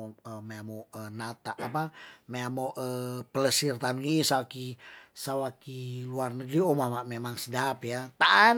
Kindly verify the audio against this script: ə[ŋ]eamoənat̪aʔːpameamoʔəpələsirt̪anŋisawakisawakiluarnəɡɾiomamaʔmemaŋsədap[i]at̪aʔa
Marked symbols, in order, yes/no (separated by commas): no, no